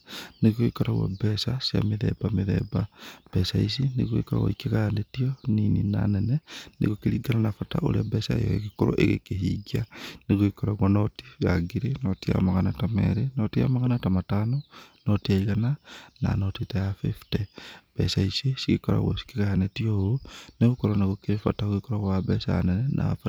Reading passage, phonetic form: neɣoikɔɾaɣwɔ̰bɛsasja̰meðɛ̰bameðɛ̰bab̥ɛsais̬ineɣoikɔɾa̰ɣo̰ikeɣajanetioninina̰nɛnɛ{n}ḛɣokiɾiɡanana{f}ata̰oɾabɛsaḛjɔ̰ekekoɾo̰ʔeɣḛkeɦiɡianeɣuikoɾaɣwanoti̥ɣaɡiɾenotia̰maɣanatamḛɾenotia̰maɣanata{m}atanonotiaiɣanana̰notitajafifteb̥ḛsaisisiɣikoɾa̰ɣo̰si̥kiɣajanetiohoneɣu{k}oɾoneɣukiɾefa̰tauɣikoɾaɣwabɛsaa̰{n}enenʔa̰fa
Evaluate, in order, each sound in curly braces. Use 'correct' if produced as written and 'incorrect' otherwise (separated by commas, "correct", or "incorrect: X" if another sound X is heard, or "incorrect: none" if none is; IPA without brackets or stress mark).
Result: correct, correct, correct, correct, correct